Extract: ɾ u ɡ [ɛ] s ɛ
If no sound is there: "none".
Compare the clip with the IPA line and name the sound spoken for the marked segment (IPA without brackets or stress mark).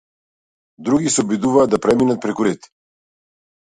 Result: i